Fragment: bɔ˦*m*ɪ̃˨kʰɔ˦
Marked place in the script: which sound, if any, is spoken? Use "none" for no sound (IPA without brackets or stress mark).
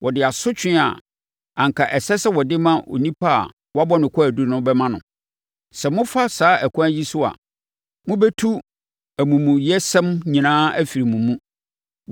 n